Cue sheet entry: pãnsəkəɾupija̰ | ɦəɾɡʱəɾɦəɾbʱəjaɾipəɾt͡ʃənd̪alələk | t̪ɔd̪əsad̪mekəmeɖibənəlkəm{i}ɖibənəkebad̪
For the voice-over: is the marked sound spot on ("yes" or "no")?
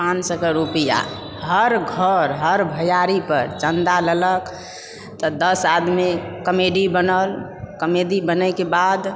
no